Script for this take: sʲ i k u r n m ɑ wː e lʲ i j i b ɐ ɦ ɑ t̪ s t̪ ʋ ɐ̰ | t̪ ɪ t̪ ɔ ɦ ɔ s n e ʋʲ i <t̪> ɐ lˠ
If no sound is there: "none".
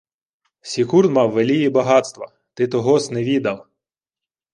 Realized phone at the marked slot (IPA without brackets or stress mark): d̪